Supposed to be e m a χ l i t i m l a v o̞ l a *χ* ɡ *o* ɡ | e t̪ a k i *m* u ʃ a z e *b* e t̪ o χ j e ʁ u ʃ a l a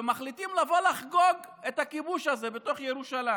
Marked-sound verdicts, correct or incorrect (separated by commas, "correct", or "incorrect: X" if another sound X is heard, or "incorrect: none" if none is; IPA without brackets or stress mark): correct, correct, incorrect: b, correct